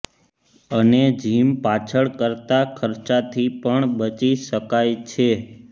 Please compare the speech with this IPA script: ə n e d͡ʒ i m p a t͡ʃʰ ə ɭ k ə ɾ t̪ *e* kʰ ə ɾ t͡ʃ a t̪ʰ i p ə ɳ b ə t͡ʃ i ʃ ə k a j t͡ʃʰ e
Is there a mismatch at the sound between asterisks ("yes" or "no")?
yes